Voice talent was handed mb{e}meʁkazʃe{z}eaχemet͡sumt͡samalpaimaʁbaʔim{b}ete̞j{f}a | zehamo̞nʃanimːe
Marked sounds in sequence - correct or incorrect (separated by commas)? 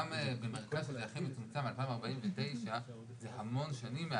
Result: correct, correct, incorrect, incorrect